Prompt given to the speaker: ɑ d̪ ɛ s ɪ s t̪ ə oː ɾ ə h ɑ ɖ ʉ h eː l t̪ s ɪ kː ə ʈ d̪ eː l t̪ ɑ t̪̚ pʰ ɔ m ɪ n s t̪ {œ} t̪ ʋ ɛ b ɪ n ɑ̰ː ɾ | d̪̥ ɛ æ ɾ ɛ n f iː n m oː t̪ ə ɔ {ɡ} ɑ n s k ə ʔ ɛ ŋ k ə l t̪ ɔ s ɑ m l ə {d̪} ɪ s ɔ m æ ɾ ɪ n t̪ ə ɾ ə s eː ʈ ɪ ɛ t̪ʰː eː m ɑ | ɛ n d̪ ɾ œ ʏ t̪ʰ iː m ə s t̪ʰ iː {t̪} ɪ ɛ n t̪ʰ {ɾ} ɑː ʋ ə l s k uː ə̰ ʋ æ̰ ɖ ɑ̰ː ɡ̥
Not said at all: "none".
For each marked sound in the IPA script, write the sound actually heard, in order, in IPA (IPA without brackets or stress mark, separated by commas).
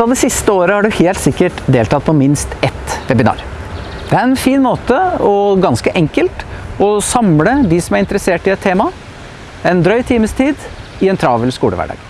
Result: ɛ, ɡ, d̪, d̪, ɾ